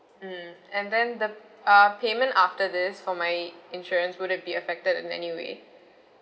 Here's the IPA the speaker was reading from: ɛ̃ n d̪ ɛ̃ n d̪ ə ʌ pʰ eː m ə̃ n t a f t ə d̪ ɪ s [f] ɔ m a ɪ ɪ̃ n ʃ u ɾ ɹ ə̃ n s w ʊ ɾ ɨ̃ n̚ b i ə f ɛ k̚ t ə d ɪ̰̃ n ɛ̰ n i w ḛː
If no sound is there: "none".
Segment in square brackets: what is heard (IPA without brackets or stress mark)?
f